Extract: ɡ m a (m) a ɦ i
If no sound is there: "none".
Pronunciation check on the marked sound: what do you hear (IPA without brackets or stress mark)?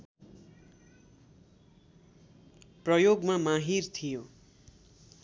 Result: m